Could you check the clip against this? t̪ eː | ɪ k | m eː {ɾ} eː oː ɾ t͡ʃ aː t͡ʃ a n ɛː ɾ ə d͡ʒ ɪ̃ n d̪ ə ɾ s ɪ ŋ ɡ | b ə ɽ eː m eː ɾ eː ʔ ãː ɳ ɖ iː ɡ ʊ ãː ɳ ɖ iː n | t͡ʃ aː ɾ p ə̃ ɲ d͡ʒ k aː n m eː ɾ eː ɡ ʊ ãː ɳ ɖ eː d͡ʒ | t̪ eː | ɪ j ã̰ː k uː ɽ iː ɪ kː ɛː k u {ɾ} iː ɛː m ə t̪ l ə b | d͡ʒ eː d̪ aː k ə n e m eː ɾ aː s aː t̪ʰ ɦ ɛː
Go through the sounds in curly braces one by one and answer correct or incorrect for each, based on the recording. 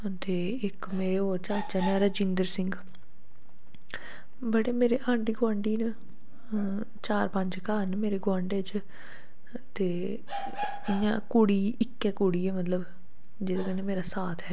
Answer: correct, incorrect

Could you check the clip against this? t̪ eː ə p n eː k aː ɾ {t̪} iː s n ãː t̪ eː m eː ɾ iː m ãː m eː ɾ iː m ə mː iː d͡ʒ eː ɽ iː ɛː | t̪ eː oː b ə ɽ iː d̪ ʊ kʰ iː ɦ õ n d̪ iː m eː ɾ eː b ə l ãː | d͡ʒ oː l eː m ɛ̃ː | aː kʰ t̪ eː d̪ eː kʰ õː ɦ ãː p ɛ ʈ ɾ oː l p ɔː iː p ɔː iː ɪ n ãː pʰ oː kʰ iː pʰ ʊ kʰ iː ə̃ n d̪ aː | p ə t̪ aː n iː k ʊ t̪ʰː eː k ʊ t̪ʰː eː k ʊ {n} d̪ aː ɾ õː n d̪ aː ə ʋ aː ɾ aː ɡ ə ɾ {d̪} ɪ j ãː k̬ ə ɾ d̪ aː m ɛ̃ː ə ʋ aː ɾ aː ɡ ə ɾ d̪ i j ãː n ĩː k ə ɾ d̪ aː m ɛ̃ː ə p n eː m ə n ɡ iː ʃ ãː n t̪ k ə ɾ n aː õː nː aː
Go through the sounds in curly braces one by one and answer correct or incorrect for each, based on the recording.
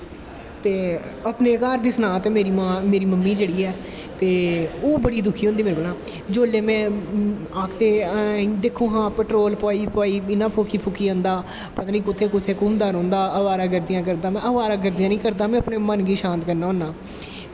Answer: incorrect, incorrect, correct

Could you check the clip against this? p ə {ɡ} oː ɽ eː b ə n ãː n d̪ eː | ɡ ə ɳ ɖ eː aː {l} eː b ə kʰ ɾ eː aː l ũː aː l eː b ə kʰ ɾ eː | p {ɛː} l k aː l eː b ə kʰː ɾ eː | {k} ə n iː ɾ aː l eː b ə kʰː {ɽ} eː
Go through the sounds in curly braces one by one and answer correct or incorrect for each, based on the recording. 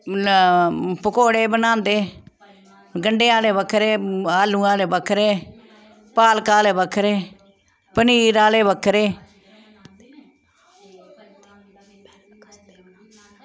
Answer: incorrect, correct, incorrect, incorrect, incorrect

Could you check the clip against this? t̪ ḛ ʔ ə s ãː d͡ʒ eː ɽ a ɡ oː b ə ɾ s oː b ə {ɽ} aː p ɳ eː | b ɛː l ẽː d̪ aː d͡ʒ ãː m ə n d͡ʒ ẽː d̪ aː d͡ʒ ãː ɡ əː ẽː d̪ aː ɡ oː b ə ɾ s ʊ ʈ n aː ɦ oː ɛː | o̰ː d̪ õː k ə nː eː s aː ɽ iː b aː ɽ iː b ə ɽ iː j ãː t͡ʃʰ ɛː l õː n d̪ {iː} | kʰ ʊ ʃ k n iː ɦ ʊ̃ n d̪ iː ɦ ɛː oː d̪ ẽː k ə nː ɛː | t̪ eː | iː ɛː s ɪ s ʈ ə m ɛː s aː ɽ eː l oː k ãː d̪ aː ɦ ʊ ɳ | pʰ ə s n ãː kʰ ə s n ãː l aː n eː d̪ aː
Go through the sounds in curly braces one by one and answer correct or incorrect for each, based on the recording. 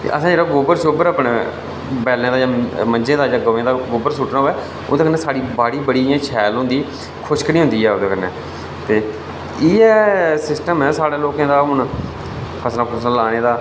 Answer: incorrect, correct

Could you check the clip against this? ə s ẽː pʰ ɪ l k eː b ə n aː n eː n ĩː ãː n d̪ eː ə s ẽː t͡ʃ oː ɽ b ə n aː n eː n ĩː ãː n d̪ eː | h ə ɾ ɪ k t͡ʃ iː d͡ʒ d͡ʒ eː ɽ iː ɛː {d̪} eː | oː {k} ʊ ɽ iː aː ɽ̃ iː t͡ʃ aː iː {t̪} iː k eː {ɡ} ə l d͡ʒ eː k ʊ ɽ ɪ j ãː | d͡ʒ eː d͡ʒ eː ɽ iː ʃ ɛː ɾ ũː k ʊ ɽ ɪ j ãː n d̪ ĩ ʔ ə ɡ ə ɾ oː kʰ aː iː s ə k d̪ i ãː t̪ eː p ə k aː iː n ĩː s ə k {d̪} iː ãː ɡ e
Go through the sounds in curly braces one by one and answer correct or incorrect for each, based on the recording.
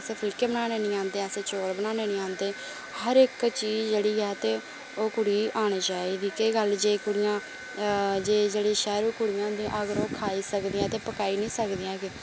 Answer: incorrect, correct, incorrect, correct, correct

